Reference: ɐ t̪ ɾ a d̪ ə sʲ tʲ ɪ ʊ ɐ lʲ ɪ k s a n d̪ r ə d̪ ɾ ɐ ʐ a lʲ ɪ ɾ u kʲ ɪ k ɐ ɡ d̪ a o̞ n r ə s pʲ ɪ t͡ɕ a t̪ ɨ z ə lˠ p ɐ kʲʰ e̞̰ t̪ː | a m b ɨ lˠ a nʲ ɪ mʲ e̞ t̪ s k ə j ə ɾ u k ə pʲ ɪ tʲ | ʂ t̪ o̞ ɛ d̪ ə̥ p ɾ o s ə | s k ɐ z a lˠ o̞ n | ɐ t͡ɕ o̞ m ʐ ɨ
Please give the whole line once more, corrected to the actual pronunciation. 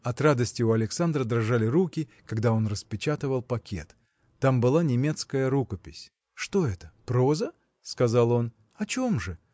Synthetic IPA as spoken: ɐ t̪ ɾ a d̪ ə sʲ tʲ ɪ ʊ ɐ lʲ ɪ k s a n d̪ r ə d̪ ɾ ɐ ʐ a lʲ ɪ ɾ u kʲ ɪ k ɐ ɡ d̪ a o̞ n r ə s pʲ ɪ t͡ɕ a t̪ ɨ v ə lˠ p ɐ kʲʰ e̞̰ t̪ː | a m b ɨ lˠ a nʲ ɪ mʲ e̞ t̪ s k ə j ə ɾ u k ə pʲ ɪ sʲ | ʂ t̪ o̞ ɛ t̪ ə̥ p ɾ o z ə | s k ɐ z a lˠ o̞ n | ɐ t͡ɕ o̞ m ʐ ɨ

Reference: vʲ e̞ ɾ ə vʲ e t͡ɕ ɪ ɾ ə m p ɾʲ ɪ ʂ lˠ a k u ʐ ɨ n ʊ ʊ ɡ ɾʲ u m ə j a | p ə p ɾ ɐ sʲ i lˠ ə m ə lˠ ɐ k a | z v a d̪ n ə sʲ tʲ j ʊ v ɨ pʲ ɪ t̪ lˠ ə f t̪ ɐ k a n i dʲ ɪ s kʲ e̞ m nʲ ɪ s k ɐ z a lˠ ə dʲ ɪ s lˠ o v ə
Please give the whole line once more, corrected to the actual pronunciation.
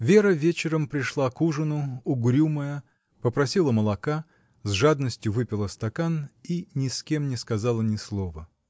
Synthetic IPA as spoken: vʲ e̞ ɾ ə vʲ e t͡ɕ ɪ ɾ ə m p ɾʲ ɪ ʂ lˠ a k u ʐ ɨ n ʊ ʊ ɡ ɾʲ u m ə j ə | p ə p ɾ ɐ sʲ i lˠ ə m ə lˠ ɐ k a | z ʐ a d̪ n ə sʲ tʲ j ʊ v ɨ pʲ ɪ lˠ ə s t̪ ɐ k a n i nʲ ɪ s kʲ e̞ m nʲ ɪ s k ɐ z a lˠ ə nʲ ɪ s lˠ o v ə

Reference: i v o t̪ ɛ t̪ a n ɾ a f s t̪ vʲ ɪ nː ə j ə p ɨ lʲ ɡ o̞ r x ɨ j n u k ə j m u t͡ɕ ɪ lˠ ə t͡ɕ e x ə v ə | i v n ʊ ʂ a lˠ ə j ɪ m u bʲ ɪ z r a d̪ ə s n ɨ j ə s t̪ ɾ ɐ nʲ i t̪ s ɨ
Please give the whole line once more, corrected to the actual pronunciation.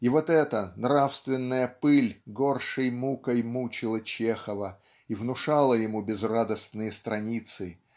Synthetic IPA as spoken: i v o t̪ ɛ t̪ ə n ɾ a f s t̪ vʲ ɪ nː ə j ə p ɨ lʲ ɡ o̞ r ʂ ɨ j m u k ə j m u t͡ɕ ɪ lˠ ə t͡ɕ e x ə v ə | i v n ʊ ʂ a lˠ ə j ɪ m u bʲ ɪ z r a d̪ ə s n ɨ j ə s t̪ ɾ ɐ nʲ i t̪ s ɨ

